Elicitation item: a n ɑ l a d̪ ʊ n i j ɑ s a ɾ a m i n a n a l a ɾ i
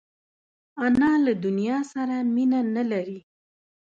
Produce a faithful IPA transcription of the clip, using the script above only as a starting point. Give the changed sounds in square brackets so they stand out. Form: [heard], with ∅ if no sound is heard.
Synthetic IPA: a n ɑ l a d̪ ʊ n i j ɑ s a ɾ a m i n a n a l a ɾ i